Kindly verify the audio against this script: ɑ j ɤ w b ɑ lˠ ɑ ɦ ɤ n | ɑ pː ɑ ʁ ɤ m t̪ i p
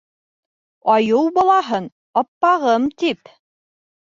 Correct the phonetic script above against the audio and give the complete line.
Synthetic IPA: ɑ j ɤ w b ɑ lˠ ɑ ɦ ɤ n | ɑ pː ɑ ʁ ɤ m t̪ i p